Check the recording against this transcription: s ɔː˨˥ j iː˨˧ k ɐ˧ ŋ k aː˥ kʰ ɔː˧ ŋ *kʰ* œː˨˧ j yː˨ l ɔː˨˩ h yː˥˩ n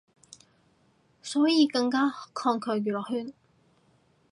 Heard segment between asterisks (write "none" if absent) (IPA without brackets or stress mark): kʰ